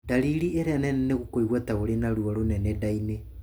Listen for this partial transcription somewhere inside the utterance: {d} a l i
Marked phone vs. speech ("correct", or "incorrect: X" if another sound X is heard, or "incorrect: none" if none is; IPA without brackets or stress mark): correct